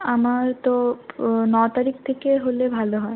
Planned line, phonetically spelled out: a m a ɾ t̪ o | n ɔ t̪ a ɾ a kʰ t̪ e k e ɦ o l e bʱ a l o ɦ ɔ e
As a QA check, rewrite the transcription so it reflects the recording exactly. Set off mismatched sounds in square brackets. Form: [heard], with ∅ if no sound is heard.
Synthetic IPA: a m a ɾ t̪ o | n ɔ t̪ a ɾ [i] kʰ [t̪ʰ] e k e ɦ o l e bʱ a l o ɦ ɔ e